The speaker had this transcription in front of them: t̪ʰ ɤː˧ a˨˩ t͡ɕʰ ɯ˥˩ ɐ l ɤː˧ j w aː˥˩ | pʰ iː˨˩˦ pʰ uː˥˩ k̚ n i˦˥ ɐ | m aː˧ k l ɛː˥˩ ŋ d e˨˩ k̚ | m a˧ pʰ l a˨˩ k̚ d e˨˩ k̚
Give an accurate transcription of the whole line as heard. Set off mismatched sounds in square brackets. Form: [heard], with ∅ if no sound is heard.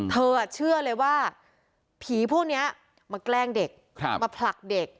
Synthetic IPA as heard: t̪ʰ ɤː˧ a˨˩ t͡ɕʰ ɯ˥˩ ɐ l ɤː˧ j w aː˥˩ | pʰ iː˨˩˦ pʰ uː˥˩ k̚ n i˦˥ ɐ | m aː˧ k l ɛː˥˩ ŋ d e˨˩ k̚ | m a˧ pʰ l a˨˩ k̚ d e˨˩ k̚